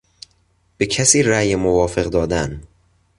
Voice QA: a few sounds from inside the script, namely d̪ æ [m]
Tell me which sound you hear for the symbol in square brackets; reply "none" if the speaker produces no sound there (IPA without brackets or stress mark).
n